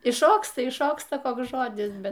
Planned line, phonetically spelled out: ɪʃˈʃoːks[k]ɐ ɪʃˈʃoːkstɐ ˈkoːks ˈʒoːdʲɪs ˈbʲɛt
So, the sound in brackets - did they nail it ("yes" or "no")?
no